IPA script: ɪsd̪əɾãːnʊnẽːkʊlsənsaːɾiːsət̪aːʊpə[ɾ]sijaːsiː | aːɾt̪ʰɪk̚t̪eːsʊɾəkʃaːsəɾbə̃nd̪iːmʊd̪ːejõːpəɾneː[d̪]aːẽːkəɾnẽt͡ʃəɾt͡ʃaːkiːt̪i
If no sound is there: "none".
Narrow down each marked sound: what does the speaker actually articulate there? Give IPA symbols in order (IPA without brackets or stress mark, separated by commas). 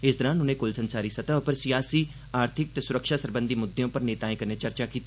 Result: ɾ, t̪